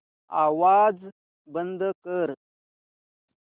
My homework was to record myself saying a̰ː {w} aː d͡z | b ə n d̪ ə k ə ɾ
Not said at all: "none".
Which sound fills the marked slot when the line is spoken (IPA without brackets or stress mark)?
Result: w